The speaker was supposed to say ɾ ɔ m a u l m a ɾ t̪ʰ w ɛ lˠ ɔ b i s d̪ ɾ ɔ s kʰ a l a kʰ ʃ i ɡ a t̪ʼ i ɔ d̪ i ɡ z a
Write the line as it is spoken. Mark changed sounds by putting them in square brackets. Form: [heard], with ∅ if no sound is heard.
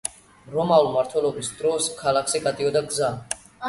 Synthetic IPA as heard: ɾ ɔ m a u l m a ɾ t̪ʰ w ɛ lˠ ɔ b i s d̪ ɾ ɔ s kʰ a l a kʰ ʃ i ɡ a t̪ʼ i ɔ d̪ [a] ɡ z a